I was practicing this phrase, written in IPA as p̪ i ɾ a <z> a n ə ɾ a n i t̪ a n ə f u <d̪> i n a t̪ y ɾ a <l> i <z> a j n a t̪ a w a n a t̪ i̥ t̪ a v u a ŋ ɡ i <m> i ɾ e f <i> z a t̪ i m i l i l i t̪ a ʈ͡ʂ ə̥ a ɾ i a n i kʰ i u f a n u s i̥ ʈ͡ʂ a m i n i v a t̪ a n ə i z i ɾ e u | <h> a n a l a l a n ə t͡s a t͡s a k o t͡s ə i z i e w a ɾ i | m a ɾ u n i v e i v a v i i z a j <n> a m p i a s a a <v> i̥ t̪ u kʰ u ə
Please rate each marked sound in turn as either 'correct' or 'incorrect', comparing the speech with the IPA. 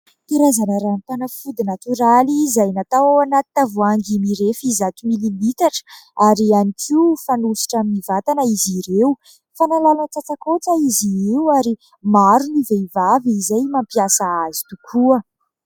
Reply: correct, correct, correct, correct, correct, correct, incorrect: f, incorrect: m, incorrect: z

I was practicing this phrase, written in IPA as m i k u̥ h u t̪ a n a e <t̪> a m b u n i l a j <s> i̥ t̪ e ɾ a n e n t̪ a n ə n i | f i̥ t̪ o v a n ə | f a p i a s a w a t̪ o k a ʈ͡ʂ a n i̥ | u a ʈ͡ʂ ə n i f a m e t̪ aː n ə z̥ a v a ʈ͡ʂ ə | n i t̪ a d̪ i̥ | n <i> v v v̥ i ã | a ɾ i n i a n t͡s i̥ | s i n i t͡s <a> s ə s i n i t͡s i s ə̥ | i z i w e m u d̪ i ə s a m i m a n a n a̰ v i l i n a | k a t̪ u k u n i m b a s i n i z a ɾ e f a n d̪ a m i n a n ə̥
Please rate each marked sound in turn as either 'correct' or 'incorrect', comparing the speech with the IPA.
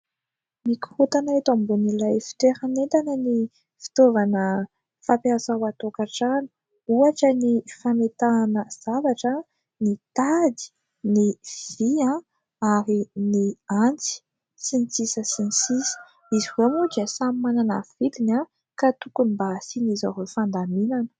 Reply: correct, incorrect: f, correct, incorrect: i

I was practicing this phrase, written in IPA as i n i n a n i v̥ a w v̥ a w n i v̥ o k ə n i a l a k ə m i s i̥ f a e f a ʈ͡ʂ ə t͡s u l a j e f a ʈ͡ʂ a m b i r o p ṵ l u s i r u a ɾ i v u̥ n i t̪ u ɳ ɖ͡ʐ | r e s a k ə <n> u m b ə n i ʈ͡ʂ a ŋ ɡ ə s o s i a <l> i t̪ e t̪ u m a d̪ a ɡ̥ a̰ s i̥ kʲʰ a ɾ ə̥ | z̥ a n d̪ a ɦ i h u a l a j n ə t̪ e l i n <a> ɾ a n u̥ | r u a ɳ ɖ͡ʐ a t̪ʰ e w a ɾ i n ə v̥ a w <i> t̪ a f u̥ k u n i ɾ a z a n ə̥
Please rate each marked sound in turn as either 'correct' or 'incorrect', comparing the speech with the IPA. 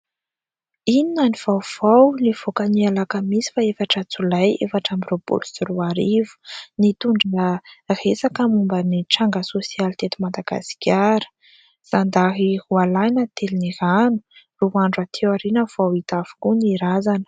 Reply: incorrect: m, correct, incorrect: i, correct

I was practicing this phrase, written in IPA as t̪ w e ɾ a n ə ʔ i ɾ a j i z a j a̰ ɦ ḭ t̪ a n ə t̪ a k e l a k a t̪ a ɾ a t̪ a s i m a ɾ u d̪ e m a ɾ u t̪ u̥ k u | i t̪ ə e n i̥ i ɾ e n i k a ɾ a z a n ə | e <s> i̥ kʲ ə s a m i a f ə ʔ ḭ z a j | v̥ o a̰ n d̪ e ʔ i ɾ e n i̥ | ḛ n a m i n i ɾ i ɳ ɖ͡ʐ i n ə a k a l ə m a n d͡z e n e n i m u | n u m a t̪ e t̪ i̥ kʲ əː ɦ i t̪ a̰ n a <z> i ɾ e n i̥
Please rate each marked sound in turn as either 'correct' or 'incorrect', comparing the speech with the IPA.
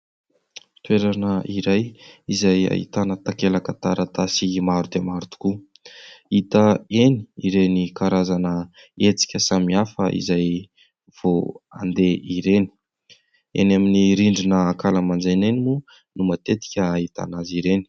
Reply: incorrect: t͡s, correct

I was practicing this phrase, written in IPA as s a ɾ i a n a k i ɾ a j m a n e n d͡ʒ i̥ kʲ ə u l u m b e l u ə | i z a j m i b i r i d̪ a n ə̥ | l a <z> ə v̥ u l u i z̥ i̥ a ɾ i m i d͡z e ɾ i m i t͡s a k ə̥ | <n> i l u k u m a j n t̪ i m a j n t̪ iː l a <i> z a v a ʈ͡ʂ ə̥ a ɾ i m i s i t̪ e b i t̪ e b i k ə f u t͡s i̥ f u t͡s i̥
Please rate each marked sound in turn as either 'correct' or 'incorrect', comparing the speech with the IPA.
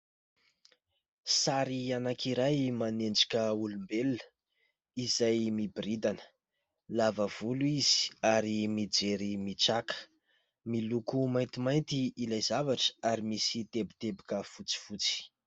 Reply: incorrect: v, incorrect: m, incorrect: j

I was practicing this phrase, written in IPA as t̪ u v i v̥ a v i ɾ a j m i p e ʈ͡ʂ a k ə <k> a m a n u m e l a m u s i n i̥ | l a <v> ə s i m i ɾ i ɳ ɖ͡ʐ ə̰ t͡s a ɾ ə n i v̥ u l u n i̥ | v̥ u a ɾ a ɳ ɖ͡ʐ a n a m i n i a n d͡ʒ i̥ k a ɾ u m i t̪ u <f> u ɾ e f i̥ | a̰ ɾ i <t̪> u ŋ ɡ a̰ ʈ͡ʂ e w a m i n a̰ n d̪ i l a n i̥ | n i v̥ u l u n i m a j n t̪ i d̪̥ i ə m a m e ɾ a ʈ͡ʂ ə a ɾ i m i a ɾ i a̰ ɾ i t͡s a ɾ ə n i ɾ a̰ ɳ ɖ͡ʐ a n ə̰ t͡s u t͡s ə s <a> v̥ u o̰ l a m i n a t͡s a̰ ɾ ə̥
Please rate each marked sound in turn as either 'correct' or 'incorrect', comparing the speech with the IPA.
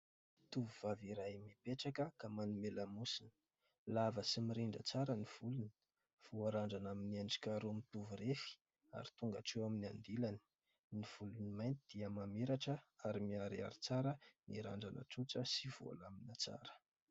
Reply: correct, correct, incorrect: v, correct, incorrect: i

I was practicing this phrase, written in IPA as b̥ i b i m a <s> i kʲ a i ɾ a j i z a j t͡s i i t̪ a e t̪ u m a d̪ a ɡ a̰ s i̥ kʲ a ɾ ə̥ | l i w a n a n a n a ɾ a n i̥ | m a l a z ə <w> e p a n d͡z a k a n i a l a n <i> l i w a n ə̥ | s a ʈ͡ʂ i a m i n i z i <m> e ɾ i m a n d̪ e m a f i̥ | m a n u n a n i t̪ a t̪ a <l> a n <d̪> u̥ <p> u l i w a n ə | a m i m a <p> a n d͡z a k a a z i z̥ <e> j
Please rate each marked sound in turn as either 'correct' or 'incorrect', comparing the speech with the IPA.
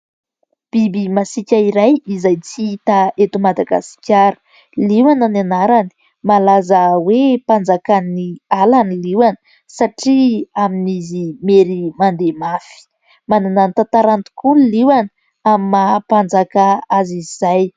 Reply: correct, correct, correct, correct, incorrect: ɾ, incorrect: t̪, incorrect: k, correct, incorrect: a

